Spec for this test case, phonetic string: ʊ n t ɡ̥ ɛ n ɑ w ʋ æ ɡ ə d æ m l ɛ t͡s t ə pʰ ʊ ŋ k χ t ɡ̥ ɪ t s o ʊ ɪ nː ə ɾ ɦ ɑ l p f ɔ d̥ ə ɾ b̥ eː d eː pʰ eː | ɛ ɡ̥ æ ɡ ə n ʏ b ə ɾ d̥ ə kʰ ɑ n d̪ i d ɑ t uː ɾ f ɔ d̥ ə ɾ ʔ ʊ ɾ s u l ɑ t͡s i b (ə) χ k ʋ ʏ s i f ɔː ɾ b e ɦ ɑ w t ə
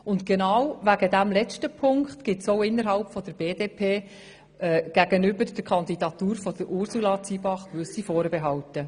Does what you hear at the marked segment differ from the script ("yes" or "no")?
yes